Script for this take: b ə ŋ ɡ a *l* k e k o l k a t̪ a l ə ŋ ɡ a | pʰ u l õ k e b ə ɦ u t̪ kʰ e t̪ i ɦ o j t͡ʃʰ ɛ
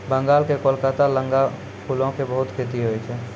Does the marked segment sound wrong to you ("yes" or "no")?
no